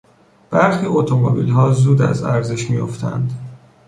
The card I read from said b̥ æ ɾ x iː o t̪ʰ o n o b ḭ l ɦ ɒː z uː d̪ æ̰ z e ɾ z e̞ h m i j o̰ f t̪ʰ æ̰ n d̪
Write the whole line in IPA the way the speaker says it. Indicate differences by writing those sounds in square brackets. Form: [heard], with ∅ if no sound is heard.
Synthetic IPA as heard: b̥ æ ɾ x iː o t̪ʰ o [m] o b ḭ l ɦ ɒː z uː d̪ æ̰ z [æ] ɾ z e̞ [ʃ] m i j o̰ f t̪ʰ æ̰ n d̪